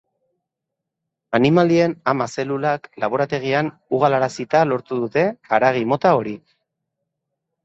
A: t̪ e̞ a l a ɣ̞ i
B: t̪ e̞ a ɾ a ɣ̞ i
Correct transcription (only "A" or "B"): B